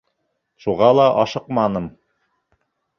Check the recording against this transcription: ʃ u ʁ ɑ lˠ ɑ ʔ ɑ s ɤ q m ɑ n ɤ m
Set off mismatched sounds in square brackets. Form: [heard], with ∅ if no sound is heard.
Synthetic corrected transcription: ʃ u ʁ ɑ lˠ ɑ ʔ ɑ [ʃ] ɤ q m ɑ n ɤ m